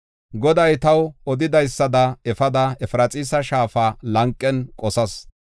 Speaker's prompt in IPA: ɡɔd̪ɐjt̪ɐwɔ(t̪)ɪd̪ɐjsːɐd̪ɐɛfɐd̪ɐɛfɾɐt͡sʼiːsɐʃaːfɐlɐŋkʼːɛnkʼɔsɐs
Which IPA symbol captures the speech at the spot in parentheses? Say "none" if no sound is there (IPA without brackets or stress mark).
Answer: d̪